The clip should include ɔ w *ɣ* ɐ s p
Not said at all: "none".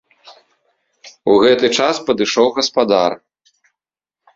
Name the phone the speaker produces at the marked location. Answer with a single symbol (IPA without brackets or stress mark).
ɣ